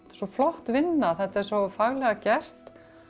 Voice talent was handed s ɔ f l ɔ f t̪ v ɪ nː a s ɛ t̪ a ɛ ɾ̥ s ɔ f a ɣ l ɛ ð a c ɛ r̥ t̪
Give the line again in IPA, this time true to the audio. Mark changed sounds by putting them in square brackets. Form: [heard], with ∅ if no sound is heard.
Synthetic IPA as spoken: s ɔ f l ɔ [h] t̪ v ɪ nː a [θ] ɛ t̪ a ɛ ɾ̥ s ɔ f a ɣ l ɛ [ɣ] a c ɛ r̥ t̪